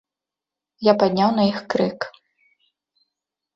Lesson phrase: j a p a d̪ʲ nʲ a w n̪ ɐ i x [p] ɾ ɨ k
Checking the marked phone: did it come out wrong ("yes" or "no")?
yes